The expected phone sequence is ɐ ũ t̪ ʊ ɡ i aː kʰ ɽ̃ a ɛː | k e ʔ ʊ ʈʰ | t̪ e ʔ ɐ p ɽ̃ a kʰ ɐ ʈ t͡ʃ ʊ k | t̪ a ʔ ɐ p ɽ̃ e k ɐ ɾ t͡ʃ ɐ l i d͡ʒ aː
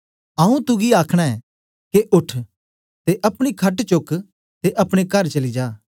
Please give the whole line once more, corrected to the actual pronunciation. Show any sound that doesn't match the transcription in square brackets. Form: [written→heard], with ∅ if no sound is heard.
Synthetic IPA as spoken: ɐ ũ t̪ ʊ ɡ i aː kʰ ɽ̃ a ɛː | k e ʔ ʊ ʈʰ | t̪ e ʔ ɐ p ɽ̃ [a→i] kʰ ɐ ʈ t͡ʃ ʊ k | t̪ [a→e] ʔ ɐ p ɽ̃ e k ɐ ɾ t͡ʃ ɐ l i d͡ʒ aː